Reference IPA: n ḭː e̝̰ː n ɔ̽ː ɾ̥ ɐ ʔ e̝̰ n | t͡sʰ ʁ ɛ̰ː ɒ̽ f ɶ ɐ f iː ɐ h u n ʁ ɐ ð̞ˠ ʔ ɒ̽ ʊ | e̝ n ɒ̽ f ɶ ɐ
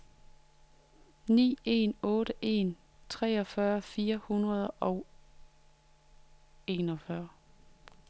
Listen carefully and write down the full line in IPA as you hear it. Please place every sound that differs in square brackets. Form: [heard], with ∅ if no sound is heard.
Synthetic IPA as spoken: n ḭː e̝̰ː n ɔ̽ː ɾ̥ [ə] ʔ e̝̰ n | t͡sʰ ʁ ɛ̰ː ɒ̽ f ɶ ɐ f iː ɐ h u n ʁ ɐ ð̞ˠ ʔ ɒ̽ ʊ | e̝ n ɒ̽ f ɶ ɐ